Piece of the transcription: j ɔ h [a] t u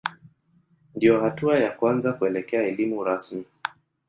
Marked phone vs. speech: correct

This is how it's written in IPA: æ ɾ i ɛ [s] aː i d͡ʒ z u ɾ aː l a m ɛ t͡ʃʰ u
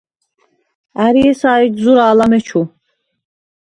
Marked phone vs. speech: correct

